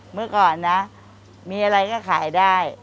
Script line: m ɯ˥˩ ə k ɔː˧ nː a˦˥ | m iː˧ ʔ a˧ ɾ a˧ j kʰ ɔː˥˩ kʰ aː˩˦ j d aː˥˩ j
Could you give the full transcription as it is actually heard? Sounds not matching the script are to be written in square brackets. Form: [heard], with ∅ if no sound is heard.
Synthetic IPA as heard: m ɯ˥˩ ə k [ɔː˨˩] nː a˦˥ | m iː˧ ʔ a˧ ɾ a˧ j [k] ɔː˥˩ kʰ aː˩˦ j d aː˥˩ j